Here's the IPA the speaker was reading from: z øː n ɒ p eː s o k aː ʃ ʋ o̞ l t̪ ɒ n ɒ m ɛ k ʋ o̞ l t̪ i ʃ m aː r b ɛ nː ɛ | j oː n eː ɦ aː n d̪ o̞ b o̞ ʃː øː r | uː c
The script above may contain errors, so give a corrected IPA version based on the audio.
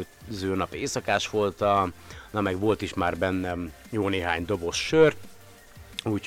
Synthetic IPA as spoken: z øː n ɒ p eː s ɒ k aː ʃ ʋ o̞ l t̪ ɒ n ɒ m ɛ ɡ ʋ o̞ l t̪ i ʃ m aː r b ɛ nː ɛ | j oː n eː ɦ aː ɲ d̪ o̞ b o̞ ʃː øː r | uː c